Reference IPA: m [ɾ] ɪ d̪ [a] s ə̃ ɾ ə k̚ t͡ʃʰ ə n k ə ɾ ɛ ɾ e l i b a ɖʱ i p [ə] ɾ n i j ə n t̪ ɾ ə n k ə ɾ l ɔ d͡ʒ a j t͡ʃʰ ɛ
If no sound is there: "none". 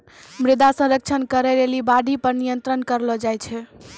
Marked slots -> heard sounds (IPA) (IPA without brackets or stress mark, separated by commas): ɾ, a, ə